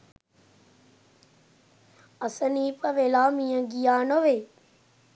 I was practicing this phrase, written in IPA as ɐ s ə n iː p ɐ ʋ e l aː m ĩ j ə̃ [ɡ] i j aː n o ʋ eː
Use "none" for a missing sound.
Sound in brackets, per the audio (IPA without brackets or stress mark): ɡ